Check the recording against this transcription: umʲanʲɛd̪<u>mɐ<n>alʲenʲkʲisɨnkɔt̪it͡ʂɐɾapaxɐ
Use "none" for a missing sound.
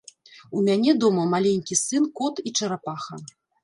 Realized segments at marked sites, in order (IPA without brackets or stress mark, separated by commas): ɔ, m